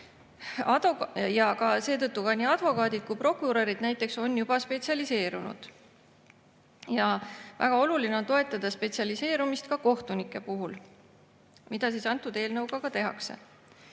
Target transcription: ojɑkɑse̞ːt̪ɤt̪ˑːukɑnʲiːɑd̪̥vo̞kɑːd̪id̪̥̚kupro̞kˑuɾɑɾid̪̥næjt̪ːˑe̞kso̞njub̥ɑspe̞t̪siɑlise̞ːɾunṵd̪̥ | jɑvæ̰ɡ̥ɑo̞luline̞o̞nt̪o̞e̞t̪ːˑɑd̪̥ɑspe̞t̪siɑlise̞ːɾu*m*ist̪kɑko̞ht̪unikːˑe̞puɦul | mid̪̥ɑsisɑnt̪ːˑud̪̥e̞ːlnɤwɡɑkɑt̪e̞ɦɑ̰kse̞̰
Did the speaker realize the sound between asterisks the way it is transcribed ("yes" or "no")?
yes